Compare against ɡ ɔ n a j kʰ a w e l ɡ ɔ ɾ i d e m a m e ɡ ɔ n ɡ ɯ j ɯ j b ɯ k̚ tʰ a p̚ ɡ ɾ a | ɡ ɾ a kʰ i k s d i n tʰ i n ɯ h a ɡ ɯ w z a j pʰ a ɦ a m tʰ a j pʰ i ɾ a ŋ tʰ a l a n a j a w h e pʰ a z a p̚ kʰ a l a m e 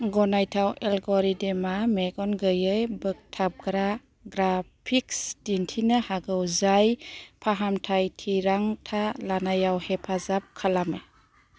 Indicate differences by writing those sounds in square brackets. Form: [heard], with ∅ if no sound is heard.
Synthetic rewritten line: ɡ ɔ n a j [tʰ] a w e l ɡ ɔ ɾ i d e m a m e ɡ ɔ n ɡ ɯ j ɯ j b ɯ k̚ tʰ a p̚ ɡ ɾ a | ɡ ɾ a [pʰ] i k s d i n tʰ i n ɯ h a ɡ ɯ w z a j pʰ a ɦ a m tʰ a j [tʰ] i ɾ a ŋ tʰ a l a n a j a w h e pʰ a z a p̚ kʰ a l a m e